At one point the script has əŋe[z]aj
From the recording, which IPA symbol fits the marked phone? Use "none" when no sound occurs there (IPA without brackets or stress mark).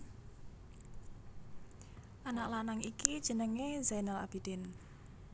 z